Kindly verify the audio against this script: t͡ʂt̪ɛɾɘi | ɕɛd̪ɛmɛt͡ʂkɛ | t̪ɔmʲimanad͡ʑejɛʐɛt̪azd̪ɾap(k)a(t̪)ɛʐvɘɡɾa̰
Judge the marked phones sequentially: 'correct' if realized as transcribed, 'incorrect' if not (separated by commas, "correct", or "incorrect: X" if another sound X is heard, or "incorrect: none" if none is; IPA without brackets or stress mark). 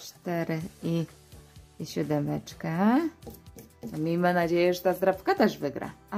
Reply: correct, correct